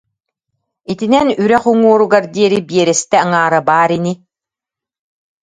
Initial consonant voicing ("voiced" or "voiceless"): voiceless